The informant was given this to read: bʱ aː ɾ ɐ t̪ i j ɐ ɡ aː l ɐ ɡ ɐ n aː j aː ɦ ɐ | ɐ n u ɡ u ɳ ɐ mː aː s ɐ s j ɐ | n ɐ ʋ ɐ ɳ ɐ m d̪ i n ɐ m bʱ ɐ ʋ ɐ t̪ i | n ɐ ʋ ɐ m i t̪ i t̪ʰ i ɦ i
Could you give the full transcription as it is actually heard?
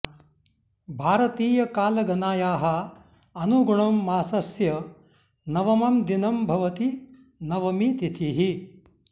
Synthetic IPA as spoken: bʱ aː ɾ ɐ t̪ iː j ɐ k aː l ɐ ɡ ɐ n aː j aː ɦ ɐ | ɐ n u ɡ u ɳ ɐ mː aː s ɐ s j ɐ | n ɐ ʋ ɐ m ɐ m d̪ i n ɐ m bʱ ɐ ʋ ɐ t̪ i | n ɐ ʋ ɐ m i t̪ i t̪ʰ i ɦ i